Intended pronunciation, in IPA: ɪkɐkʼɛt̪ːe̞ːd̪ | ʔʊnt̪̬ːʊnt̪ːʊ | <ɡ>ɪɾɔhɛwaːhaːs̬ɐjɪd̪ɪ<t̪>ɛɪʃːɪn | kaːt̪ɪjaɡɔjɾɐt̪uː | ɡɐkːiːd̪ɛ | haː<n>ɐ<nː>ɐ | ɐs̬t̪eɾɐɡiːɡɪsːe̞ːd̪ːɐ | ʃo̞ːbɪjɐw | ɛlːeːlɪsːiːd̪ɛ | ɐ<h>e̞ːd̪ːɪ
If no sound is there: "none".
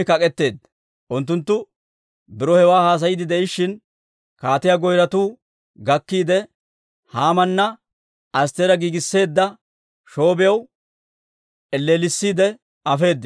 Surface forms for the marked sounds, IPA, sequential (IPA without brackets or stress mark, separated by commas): b, d̪, m, nː, f